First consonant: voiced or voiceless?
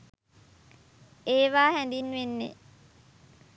voiced